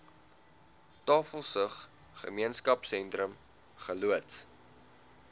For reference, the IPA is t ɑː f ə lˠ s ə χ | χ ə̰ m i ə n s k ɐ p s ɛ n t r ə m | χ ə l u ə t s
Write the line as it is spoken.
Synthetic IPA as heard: t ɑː f ə lˠ s ə χ | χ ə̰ m i ə n s k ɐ p s ɛ n t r ə m | χ ə l u ə t s

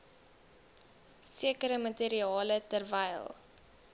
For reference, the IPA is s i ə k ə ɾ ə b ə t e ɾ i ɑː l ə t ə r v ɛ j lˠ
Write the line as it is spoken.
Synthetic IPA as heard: s i ə k ə ɾ ə m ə t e ɾ i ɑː l ə t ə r v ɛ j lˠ

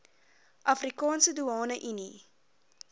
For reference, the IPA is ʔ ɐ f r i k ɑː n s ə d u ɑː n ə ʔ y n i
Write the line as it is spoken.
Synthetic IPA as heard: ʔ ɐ f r i k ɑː n s ə d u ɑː n ə ʔ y n i

